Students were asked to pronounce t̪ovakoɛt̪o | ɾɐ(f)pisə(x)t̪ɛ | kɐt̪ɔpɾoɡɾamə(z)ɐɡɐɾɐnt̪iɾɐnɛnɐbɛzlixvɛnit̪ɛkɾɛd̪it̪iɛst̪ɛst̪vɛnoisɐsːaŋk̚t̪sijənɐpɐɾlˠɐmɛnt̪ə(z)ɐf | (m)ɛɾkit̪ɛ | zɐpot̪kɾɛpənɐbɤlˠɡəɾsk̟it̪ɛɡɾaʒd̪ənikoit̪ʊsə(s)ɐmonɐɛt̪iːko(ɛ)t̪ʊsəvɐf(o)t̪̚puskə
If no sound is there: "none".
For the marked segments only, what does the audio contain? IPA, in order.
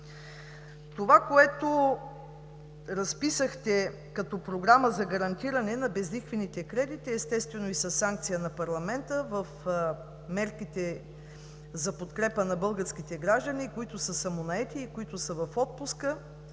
s, x, z, v, m, s, i, ɔ

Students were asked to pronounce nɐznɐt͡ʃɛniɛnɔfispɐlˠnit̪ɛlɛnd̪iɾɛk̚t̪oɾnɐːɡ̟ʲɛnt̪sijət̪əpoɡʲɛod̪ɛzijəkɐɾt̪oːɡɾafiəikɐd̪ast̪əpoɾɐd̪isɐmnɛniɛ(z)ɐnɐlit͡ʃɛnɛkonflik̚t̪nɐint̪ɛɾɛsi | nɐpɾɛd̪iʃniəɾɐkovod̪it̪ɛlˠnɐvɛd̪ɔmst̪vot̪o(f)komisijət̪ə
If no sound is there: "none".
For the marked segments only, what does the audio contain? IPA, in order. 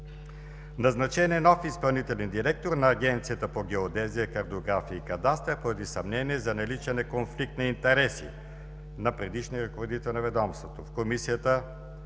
z, f

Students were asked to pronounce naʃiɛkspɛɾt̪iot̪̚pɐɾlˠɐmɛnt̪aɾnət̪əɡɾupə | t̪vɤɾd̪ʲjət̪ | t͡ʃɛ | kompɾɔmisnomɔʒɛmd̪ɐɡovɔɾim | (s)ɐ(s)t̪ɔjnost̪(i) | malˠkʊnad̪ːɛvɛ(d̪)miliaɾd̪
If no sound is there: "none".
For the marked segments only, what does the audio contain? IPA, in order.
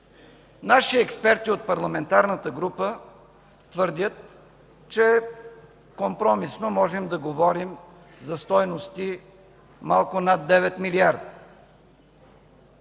z, s, i, t̪

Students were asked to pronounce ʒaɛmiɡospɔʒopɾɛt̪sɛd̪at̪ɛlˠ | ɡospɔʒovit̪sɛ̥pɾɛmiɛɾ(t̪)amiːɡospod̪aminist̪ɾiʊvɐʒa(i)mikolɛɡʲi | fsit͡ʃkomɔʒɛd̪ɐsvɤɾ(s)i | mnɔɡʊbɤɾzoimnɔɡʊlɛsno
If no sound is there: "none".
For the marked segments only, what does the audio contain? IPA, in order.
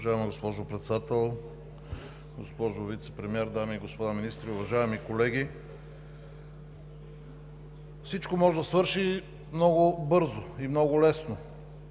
d̪, ɛ, ʃ

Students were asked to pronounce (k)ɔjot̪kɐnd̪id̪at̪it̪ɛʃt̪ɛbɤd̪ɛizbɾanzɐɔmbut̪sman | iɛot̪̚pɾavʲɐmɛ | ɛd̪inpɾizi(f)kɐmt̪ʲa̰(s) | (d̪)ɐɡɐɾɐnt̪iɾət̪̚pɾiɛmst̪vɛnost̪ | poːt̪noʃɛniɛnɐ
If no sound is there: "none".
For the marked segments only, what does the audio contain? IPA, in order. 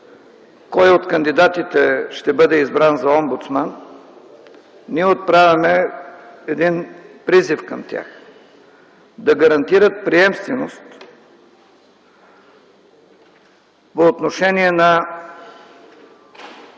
k, f, x, d̪

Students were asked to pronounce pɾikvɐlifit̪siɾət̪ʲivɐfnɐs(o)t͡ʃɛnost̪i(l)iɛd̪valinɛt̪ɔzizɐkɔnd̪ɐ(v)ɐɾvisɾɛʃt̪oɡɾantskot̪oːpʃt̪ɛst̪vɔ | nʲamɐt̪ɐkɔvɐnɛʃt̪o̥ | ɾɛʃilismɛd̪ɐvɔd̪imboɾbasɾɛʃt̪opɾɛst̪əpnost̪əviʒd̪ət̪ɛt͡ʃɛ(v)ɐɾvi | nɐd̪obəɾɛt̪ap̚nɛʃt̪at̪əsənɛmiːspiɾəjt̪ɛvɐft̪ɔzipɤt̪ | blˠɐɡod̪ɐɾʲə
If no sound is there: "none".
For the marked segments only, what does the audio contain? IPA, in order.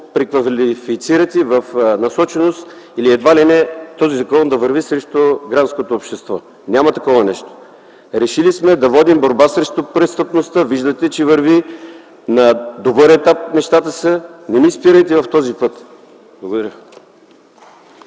ɔ, l, v, v

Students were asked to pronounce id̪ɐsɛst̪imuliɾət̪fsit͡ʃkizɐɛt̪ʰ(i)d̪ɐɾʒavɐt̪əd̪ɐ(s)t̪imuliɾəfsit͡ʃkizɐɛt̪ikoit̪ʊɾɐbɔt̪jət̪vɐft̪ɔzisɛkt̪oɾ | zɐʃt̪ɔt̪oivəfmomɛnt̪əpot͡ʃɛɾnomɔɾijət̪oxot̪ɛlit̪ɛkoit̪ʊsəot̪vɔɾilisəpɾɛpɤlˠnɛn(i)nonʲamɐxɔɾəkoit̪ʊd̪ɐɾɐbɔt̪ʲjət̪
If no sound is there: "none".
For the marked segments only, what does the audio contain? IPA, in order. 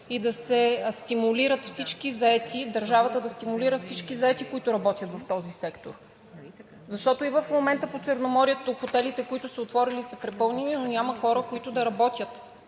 i, s, i

